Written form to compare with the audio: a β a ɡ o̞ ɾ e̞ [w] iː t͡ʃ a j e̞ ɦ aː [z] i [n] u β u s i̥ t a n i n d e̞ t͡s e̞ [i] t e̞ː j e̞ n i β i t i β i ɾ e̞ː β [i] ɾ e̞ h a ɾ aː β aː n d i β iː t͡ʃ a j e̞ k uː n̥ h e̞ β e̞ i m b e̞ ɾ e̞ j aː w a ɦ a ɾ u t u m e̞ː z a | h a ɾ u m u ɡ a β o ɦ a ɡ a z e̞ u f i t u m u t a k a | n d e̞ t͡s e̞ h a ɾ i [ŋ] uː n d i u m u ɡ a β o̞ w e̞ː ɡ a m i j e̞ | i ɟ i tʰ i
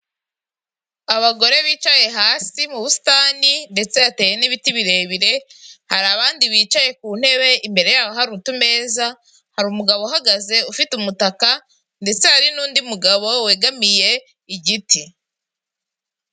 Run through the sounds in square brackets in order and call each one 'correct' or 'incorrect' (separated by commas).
incorrect, incorrect, incorrect, incorrect, correct, incorrect